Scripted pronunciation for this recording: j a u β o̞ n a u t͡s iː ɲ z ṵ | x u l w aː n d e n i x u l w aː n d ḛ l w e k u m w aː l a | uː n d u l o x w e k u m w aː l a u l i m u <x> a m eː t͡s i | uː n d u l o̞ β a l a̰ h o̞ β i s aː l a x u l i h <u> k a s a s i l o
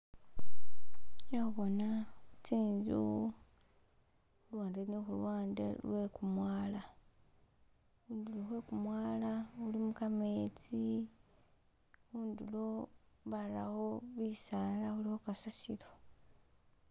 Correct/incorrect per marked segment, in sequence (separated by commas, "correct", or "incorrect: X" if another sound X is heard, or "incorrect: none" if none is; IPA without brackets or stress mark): incorrect: k, incorrect: o